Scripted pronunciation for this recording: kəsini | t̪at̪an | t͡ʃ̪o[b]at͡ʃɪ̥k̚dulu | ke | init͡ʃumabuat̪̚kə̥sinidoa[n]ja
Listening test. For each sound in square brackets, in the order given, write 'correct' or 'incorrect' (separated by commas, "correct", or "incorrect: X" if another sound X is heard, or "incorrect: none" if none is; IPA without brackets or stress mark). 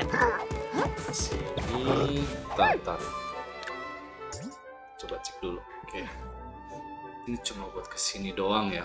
correct, incorrect: ŋ